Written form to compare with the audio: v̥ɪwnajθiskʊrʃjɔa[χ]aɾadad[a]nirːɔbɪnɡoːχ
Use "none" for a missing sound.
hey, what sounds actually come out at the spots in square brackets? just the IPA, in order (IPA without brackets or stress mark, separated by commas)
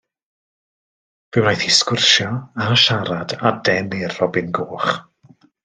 ʃ, ɛ